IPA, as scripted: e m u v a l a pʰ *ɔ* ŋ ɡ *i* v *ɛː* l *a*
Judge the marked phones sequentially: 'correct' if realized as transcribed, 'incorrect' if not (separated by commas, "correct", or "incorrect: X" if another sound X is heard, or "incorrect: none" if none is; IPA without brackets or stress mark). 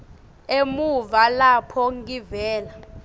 correct, correct, correct, correct